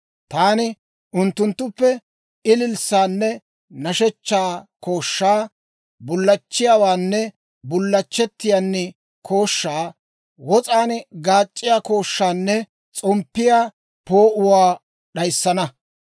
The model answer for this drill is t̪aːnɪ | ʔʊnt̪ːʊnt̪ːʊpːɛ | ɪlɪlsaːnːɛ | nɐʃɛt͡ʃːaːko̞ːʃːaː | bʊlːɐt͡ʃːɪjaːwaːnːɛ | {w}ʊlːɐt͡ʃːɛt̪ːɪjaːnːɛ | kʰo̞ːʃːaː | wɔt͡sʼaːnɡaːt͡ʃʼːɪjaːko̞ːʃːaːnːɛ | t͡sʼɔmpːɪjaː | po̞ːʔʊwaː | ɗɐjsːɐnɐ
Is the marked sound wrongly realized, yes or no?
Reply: yes